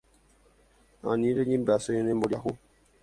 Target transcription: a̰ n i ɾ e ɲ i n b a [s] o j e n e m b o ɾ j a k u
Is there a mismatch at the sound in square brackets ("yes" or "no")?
no